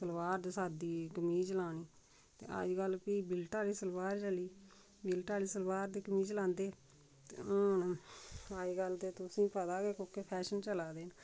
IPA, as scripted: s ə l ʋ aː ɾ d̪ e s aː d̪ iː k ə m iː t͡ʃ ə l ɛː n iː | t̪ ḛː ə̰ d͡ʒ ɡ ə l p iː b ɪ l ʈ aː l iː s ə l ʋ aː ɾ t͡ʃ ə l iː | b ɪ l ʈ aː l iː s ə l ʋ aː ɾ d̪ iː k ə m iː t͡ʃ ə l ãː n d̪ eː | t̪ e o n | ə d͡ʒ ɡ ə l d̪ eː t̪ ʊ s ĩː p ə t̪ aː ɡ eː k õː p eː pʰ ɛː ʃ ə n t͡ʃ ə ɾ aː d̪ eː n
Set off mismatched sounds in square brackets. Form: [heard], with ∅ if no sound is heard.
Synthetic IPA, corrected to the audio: s ə l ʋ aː ɾ d̪ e s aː d̪ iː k ə m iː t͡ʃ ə l [aː] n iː | t̪ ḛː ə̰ d͡ʒ ɡ ə l p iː b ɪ l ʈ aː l iː s ə l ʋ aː ɾ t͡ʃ ə l iː | b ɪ l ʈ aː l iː s ə l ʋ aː ɾ d̪ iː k ə m iː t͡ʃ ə l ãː n d̪ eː | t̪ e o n | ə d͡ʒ ɡ ə l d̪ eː t̪ ʊ s ĩː p ə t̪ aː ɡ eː k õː [k] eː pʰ ɛː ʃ ə n t͡ʃ ə [l] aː d̪ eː n